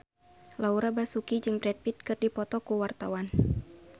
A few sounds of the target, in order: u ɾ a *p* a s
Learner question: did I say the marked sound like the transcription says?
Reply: no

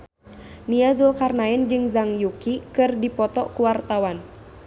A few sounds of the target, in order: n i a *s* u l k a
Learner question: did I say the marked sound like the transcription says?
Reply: no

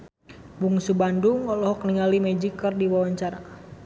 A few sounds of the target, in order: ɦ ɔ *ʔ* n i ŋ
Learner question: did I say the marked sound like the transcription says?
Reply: no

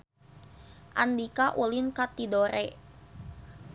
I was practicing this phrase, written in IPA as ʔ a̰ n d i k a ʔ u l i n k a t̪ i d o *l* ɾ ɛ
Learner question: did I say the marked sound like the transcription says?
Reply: no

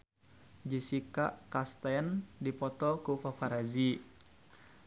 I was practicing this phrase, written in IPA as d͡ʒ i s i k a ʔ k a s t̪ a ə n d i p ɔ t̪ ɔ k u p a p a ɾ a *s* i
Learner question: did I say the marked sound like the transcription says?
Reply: no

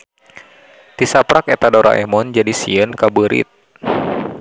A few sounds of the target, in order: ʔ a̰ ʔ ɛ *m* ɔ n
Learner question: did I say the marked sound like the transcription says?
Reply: yes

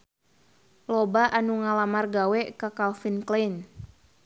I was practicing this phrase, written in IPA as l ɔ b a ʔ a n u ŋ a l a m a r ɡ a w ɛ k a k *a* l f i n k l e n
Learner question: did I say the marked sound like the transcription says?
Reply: yes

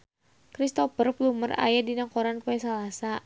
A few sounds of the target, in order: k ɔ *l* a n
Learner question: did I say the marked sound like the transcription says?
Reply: no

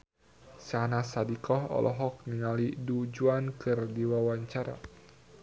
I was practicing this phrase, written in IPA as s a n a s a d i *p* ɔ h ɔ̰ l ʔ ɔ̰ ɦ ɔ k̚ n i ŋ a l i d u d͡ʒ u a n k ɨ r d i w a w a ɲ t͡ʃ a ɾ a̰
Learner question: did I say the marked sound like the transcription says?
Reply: no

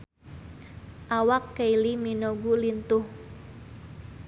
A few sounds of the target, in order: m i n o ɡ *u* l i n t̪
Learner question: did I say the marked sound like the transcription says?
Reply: yes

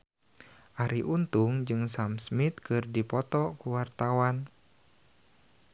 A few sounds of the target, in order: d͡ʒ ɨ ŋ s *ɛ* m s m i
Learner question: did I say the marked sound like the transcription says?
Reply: no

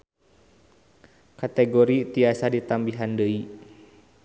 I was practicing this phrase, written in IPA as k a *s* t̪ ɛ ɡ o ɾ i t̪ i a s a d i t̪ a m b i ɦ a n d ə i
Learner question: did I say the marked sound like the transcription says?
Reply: no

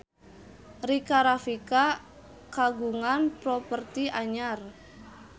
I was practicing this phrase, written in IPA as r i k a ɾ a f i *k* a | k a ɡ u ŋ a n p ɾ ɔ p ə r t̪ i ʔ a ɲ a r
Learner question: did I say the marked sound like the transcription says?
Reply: yes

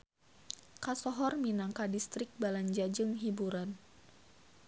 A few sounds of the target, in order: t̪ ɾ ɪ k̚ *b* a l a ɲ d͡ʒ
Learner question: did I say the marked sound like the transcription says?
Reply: yes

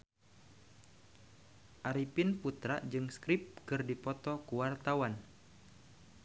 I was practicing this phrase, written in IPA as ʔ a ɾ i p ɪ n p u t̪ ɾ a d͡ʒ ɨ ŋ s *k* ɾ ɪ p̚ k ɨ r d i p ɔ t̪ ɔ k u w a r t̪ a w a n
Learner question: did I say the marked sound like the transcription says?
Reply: yes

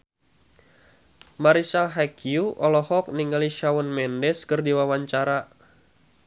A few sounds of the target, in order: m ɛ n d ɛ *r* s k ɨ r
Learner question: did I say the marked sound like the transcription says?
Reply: no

